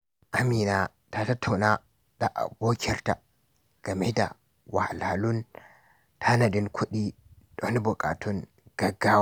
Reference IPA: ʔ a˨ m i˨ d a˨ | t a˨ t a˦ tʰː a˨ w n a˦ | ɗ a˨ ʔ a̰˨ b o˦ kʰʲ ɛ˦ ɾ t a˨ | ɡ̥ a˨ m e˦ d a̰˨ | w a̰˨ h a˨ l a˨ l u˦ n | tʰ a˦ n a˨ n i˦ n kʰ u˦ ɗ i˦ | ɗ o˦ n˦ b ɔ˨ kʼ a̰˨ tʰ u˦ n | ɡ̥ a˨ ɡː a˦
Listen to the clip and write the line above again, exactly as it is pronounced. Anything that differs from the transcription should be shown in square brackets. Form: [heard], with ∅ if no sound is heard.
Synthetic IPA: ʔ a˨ m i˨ [n] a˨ | t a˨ t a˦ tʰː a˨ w n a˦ | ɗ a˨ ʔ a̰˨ b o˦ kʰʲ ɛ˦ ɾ t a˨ | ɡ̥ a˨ m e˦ d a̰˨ | w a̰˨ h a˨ l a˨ l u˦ n | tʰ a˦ n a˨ [d] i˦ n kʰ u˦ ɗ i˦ | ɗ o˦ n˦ b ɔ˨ kʼ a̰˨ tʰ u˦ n | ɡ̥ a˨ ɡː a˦